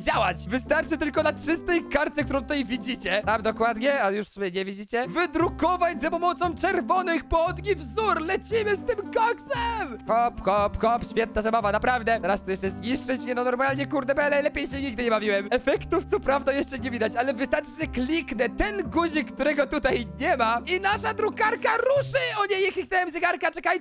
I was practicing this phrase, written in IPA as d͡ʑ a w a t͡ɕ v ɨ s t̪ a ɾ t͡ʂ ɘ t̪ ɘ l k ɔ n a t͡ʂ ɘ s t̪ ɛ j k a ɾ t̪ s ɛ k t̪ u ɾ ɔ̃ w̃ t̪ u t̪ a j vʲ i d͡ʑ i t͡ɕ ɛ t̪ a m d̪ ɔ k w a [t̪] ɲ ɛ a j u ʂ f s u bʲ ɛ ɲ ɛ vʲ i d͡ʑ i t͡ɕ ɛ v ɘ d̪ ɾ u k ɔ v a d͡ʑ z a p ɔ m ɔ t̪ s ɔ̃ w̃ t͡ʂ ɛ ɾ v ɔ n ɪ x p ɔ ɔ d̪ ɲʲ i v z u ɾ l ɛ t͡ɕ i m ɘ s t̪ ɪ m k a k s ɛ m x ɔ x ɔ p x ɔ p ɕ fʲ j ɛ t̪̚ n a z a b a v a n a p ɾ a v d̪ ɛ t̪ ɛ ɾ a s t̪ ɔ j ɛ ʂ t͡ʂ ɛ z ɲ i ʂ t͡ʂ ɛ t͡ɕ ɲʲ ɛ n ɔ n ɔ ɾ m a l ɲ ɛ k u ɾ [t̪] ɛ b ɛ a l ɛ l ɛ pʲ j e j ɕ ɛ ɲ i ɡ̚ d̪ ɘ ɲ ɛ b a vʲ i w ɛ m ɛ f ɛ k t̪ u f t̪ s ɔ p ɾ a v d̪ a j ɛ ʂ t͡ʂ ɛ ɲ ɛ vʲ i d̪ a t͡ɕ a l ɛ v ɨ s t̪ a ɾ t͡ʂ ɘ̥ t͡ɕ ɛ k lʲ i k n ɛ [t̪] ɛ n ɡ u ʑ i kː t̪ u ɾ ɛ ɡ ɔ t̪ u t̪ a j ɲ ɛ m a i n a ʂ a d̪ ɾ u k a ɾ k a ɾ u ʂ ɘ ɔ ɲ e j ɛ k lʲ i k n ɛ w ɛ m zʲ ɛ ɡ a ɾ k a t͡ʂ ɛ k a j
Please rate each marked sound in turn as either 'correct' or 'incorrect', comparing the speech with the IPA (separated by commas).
incorrect, incorrect, correct